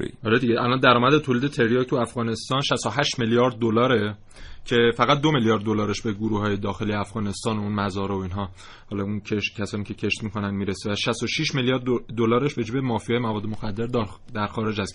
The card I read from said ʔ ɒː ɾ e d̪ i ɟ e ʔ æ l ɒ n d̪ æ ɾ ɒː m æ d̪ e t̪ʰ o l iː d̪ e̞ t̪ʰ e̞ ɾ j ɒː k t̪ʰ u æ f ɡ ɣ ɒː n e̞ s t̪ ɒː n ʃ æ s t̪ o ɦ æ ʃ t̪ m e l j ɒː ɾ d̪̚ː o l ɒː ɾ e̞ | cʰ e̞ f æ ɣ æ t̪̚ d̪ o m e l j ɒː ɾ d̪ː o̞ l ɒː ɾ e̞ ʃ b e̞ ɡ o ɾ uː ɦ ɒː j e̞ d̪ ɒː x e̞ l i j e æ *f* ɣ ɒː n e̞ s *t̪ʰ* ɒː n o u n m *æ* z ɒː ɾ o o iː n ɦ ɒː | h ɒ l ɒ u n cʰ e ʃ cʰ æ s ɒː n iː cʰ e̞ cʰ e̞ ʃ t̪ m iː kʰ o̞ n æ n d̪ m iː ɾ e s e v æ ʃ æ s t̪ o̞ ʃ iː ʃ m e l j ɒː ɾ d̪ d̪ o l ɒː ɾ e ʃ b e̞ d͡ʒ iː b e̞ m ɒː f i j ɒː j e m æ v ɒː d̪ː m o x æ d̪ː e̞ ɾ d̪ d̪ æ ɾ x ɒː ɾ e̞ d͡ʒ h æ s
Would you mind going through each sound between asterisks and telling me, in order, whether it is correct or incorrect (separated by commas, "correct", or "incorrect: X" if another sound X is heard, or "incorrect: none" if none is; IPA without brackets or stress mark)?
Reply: correct, incorrect: t̪, correct